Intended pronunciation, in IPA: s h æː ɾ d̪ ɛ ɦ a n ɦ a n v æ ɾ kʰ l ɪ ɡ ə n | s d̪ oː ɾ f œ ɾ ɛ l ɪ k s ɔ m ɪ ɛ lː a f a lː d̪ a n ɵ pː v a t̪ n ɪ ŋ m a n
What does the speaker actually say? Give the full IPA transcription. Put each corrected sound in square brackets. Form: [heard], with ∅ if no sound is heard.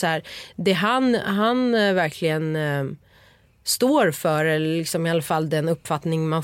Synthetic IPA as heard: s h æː ɾ d̪ ɛ ɦ a n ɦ a n v æ ɾ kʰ l ɪ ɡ ə n | s [t̪] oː ɾ f œ ɾ ɛ l ɪ k s ɔ m ɪ [a] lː a f a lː d̪ [ɛ] n ɵ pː [f] a t̪ n ɪ ŋ m a n